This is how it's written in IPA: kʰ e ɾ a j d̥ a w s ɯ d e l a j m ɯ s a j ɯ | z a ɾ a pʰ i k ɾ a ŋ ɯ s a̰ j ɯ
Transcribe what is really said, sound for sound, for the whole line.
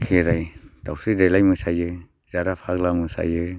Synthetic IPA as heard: kʰ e ɾ a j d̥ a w s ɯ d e l a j m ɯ s a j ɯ | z a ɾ a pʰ a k l a m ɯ s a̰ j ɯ